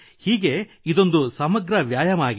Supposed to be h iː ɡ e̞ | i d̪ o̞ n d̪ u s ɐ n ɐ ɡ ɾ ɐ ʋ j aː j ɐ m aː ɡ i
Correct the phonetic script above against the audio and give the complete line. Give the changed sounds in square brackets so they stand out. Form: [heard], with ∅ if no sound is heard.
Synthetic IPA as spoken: h iː ɡ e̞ | i d̪ o̞ n d̪ u s ɐ [m] ɐ ɡ ɾ ɐ ʋ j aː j ɐ m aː ɡ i